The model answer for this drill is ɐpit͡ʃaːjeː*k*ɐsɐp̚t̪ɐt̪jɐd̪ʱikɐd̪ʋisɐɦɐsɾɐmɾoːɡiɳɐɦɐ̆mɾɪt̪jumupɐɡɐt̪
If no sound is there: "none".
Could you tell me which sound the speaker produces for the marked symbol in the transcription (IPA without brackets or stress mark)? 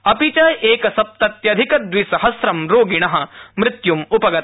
k